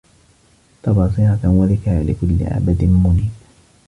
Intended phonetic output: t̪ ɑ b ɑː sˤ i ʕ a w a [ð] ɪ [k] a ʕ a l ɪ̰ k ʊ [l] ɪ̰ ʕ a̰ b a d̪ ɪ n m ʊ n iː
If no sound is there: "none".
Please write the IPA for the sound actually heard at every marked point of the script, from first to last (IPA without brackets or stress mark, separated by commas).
ð, k, lː